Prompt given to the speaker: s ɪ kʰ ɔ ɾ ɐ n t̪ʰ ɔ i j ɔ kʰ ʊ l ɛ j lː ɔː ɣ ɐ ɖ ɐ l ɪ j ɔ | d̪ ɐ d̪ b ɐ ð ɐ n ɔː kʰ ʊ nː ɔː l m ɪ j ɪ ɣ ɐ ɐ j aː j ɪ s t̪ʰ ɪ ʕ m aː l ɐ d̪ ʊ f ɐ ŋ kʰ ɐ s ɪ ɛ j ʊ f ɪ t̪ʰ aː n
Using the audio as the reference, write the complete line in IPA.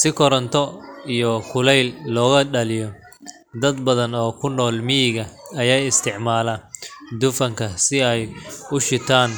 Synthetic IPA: s ɪ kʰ ɔ ɾ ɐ n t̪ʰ ɔ i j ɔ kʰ ʊ l ɛ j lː ɔː ɣ ɐ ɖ ɐ l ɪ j ɔ | d̪ ɐ d̪ b ɐ ð ɐ n ɔː kʰ ʊ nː ɔː l m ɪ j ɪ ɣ ɐ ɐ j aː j ɪ s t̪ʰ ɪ ʕ m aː l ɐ d̪ ʊ f ɐ ŋ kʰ ɐ s ɪ ɛ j ʊ ʃ ɪ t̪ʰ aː n

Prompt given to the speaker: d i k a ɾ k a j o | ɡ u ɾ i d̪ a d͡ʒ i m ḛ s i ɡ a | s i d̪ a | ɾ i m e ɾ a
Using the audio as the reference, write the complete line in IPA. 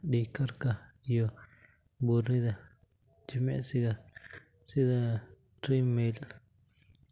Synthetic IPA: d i k a ɾ k a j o | b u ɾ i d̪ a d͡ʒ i m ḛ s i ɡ a | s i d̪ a | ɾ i m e l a

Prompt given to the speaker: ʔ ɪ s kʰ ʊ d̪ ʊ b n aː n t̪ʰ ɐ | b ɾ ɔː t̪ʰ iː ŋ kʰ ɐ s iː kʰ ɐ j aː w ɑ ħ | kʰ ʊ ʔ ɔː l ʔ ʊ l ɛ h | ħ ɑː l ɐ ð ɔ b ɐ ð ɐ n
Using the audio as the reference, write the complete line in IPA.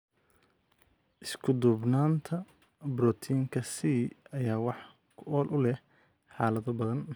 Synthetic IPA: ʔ ɪ s kʰ ʊ d̪ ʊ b n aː n t̪ʰ ɐ | b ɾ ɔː t̪ʰ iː ŋ kʰ ɐ s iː ɐ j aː w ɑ ħ | kʰ ʊ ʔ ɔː l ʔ ʊ l ɛ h | ħ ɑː l ɐ ð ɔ b ɐ ð ɐ n

